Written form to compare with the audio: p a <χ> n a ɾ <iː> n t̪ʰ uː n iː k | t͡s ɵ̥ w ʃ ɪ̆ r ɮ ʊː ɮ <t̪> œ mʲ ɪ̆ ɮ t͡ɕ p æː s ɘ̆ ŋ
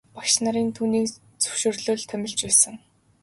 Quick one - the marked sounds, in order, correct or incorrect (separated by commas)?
incorrect, correct, incorrect